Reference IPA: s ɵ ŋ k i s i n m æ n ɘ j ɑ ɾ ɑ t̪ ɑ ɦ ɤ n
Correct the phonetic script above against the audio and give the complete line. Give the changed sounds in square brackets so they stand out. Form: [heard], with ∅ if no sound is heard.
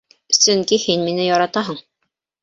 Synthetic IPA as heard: s ɵ ŋ k i [h] i n m [i] n ɘ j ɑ ɾ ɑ t̪ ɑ ɦ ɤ [ɴ]